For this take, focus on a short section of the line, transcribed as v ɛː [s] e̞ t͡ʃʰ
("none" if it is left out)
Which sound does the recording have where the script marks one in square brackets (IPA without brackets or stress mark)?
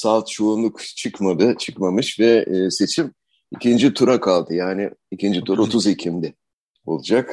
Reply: s